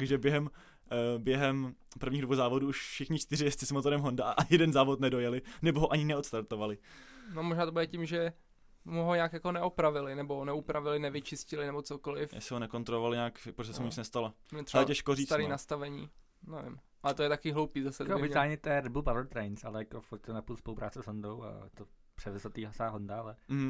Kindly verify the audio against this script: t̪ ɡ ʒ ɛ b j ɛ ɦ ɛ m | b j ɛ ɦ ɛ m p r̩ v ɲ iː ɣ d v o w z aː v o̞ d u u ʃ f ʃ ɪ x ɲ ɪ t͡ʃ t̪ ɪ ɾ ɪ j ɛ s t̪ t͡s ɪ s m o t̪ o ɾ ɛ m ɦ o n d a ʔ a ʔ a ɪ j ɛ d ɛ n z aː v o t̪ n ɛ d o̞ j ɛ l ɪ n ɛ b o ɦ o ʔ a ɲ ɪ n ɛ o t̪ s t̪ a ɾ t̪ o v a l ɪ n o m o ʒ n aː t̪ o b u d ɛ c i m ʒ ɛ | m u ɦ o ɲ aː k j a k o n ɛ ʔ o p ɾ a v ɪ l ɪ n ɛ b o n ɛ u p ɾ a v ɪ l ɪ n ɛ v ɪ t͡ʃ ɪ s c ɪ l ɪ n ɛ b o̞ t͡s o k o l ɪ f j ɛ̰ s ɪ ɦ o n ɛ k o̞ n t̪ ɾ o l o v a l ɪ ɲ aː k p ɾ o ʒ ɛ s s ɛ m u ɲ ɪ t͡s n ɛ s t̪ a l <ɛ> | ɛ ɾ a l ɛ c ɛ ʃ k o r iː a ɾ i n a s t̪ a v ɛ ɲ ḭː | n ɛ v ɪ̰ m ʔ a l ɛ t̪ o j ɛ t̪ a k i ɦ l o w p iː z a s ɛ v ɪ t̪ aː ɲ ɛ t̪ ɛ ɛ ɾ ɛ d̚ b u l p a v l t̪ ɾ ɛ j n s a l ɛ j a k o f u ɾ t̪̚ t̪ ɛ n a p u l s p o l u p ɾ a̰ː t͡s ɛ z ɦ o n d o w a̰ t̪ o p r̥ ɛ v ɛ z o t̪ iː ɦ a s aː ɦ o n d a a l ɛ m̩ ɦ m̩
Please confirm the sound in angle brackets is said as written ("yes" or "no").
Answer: no